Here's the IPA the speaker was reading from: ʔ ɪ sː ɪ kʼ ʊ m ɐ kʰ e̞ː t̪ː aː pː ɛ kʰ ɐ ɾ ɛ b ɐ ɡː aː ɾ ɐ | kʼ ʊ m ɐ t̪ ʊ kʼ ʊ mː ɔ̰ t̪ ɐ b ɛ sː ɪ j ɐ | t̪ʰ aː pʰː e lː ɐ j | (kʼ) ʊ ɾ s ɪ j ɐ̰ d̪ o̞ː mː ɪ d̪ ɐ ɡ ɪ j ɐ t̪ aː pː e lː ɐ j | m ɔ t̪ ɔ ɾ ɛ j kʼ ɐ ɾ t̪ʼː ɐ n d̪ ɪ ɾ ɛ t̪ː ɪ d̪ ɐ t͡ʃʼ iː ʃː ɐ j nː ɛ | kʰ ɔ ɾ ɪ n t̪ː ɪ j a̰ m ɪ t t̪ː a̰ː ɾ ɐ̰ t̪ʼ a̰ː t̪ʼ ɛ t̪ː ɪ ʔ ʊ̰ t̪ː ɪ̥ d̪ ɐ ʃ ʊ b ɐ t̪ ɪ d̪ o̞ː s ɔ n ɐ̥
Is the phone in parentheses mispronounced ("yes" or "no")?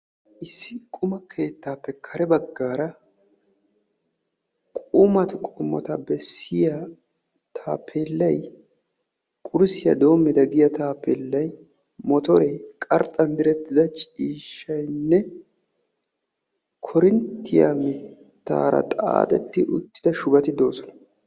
no